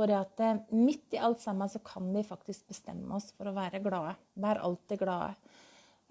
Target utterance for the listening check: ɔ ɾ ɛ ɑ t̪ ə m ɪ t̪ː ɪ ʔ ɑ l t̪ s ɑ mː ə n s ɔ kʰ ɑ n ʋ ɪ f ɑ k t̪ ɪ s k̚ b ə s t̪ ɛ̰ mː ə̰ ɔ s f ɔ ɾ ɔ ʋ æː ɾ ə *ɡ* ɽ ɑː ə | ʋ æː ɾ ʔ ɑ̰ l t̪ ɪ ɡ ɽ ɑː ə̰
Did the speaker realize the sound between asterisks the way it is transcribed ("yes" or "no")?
yes